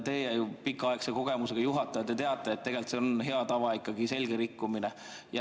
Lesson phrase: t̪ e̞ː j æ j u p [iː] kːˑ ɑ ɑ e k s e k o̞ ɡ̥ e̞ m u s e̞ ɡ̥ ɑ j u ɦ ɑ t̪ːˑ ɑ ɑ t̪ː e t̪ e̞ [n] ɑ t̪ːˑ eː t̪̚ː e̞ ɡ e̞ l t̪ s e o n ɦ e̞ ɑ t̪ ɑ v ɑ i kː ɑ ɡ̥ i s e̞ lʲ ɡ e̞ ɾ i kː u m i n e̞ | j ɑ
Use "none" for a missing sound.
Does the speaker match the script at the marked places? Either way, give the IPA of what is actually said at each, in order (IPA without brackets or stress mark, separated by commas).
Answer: i, none